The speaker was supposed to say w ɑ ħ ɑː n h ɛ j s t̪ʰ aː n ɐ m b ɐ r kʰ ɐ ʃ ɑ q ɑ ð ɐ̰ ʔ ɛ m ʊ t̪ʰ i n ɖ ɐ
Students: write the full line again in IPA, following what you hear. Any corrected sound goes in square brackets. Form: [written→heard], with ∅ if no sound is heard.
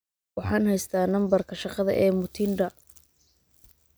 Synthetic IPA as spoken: w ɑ ħ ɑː n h ɛ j s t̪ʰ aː n ɐ m b ɐ r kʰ ɐ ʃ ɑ q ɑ ð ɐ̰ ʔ [ɛ→ɛː] m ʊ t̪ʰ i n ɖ ɐ